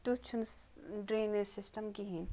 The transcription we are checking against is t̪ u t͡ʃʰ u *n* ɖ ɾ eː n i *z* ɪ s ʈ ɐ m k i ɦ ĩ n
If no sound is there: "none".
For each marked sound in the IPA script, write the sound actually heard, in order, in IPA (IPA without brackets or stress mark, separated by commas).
n, s